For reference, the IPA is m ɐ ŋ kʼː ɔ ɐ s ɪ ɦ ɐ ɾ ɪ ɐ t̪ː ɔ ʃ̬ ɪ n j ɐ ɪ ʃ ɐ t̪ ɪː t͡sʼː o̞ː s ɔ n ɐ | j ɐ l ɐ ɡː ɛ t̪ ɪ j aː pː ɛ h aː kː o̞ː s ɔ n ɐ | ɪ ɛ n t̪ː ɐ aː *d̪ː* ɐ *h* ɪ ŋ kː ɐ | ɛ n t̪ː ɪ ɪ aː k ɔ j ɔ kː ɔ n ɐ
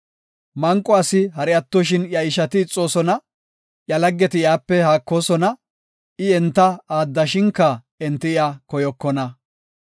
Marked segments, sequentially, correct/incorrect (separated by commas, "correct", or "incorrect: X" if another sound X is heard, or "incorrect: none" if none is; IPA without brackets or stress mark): correct, incorrect: ʃ